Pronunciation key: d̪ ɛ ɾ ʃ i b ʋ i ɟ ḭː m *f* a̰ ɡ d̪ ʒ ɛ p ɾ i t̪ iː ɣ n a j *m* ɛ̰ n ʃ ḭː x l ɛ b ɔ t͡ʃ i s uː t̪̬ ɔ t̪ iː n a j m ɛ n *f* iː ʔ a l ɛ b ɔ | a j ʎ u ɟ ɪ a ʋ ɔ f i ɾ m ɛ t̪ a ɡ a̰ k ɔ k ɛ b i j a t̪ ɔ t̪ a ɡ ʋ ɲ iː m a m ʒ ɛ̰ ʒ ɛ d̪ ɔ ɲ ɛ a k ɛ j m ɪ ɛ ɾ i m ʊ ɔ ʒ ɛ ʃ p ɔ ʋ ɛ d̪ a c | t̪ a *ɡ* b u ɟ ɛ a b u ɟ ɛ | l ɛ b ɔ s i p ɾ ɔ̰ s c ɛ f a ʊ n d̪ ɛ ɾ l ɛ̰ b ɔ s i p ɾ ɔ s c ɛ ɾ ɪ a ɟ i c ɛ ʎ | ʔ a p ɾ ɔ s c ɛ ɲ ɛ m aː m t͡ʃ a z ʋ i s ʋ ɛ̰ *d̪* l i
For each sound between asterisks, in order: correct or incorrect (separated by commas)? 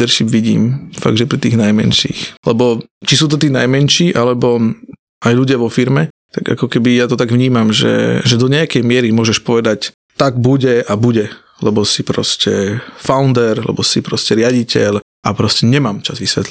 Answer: correct, correct, incorrect, correct, incorrect